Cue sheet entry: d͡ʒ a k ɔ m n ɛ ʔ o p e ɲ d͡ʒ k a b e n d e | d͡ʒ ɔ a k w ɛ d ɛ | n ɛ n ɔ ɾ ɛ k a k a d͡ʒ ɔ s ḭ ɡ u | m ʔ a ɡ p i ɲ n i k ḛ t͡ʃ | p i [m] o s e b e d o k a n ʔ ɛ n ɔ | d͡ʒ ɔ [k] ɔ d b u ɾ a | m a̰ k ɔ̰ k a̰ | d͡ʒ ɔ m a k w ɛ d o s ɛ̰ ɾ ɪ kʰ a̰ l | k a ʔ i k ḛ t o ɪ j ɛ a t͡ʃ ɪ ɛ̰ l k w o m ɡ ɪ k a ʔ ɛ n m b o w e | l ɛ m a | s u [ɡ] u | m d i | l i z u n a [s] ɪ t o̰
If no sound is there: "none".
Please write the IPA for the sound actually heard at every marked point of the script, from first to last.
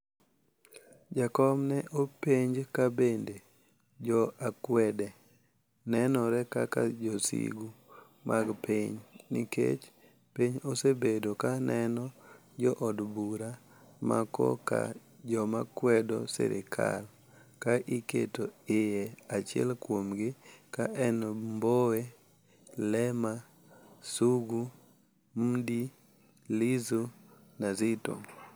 ɲ, ʔ, ɡ, z

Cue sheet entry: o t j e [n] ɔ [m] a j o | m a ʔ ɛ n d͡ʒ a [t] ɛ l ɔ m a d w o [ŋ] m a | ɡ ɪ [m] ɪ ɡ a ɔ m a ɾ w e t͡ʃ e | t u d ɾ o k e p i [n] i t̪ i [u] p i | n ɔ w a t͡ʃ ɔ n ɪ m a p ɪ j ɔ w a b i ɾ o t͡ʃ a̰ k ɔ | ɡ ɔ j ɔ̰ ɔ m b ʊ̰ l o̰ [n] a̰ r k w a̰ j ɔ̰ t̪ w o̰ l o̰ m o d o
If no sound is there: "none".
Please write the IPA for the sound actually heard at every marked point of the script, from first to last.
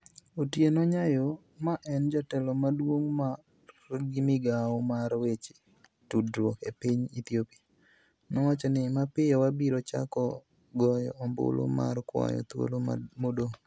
n, ɲ, t, ŋ, m, ɲ, o, m

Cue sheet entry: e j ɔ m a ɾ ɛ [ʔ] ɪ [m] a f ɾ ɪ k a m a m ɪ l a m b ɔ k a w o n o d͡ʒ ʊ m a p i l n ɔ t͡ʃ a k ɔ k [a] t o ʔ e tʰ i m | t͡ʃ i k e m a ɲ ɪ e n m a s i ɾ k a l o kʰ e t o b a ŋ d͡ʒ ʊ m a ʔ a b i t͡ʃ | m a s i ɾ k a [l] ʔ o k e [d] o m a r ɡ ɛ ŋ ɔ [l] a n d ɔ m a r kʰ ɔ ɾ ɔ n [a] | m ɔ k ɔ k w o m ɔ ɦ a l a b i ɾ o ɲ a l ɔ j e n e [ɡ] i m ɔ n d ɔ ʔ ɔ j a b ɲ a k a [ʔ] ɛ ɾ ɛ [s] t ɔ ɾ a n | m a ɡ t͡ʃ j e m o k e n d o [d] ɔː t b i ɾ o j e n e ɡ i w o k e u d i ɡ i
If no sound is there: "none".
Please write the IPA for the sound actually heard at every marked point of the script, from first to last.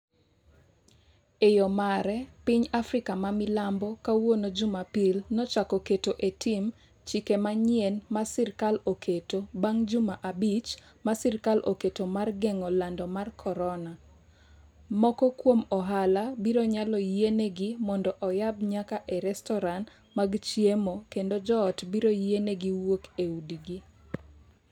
p, ɲ, e, l, t, l, a, ɡ, ʔ, s, d͡ʒ

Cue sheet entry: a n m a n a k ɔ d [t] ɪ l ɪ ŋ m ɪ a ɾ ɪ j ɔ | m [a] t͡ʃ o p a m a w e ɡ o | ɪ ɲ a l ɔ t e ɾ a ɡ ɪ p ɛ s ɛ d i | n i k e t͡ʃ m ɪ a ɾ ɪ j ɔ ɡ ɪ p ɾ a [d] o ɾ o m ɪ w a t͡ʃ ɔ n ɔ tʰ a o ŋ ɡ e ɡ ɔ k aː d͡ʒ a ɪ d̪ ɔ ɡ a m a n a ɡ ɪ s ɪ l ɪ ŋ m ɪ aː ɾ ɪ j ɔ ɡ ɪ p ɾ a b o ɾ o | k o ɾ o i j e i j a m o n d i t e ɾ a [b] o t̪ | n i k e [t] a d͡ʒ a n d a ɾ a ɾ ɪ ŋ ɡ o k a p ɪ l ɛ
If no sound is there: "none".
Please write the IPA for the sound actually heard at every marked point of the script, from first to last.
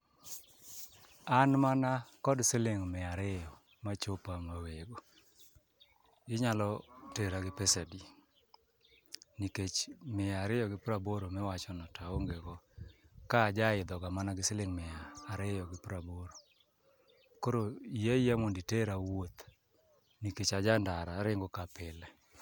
s, a, b, w, t͡ʃ

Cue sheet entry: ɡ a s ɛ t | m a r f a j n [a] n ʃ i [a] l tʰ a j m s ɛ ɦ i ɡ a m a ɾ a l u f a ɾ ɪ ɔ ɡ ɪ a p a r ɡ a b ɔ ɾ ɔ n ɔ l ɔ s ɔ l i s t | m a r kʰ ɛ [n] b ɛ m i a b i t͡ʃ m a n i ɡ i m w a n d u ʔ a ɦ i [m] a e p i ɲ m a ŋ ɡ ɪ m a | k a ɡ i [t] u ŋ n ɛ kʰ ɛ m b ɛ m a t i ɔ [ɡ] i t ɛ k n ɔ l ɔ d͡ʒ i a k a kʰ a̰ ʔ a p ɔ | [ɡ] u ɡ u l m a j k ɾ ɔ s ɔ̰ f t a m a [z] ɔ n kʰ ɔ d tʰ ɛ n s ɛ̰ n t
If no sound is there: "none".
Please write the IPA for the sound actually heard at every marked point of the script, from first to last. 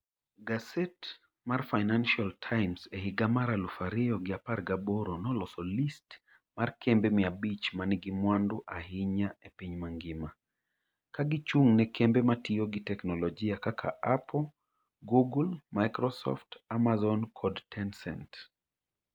a, a, m, ɲ, t͡ʃ, ɡ, ɡ, z

